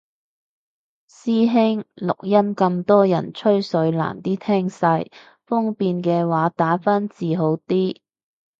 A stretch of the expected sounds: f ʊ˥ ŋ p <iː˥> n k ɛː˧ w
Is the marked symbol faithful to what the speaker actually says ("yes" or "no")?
no